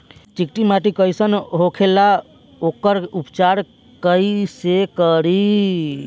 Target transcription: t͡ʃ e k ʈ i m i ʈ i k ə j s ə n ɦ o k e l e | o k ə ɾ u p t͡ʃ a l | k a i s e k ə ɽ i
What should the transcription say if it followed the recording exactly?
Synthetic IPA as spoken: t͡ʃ i k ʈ i m a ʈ i k ə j s ə n ɦ o kʰ e l a | o k ə ɾ u p t͡ʃ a ɾ | k ə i s e k ə ɾ i